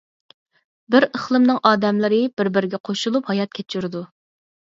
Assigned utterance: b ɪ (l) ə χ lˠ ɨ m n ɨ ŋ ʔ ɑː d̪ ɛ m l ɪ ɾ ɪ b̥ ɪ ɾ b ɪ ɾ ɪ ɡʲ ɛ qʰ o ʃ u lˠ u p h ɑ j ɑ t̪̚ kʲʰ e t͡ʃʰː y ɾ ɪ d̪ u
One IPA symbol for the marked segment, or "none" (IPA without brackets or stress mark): ɾ